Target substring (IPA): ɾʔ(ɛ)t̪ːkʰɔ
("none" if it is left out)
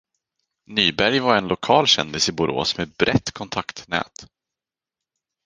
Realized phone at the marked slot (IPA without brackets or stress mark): ɛ